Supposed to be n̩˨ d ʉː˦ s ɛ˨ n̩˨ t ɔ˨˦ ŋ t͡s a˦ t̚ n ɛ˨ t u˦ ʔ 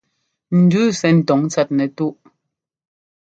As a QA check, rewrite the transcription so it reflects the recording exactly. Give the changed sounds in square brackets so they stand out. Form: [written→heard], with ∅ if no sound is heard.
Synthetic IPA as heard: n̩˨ d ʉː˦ s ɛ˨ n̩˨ t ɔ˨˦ ŋ t͡s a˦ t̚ n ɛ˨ t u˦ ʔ